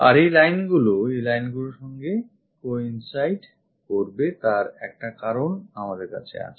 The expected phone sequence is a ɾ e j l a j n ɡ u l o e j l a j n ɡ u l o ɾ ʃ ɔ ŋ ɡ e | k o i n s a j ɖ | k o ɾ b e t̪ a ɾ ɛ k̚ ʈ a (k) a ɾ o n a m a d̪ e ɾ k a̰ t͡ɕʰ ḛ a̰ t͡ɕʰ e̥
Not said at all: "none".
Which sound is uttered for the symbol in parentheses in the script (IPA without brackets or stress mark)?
k